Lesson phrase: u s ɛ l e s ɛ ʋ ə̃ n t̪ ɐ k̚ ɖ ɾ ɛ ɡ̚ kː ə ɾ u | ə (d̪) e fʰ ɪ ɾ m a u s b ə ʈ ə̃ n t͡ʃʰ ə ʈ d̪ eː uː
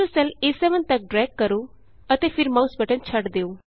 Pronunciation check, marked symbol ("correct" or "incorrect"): incorrect